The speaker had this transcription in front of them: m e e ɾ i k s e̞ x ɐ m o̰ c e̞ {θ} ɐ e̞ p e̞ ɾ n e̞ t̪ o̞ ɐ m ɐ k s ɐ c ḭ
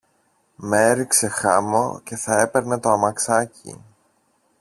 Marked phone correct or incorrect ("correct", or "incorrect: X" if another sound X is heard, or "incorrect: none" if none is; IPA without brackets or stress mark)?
correct